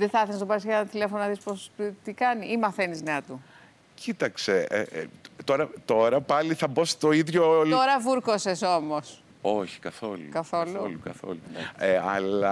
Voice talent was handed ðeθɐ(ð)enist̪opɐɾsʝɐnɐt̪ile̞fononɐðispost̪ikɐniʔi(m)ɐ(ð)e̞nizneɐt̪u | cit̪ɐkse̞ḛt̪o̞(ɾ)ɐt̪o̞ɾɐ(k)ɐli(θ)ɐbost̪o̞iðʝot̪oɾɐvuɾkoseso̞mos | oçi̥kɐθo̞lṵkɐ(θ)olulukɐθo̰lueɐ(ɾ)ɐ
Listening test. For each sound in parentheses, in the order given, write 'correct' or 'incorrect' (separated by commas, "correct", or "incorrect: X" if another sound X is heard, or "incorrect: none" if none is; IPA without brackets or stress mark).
incorrect: θ, correct, incorrect: θ, correct, incorrect: p, correct, correct, incorrect: l